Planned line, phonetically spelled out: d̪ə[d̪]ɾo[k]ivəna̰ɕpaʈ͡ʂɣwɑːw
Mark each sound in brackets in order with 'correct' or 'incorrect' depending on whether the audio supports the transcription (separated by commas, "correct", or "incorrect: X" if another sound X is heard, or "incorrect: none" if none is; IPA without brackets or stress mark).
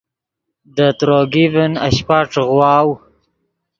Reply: incorrect: t̪, incorrect: ɡ